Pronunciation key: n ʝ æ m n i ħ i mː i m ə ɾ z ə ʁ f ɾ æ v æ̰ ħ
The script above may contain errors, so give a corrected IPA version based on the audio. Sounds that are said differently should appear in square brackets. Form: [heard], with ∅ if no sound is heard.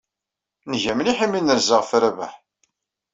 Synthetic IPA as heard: n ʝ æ m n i ħ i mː i [n] ə ɾ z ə ʁ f ɾ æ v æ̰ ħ